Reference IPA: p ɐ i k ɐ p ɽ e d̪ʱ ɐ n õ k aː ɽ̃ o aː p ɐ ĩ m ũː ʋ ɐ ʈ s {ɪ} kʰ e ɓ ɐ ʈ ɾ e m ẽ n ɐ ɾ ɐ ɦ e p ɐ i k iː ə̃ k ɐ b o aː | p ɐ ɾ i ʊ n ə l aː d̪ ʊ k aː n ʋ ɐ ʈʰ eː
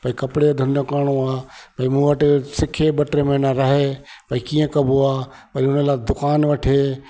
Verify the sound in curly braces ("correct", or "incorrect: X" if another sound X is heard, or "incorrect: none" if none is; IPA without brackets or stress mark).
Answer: correct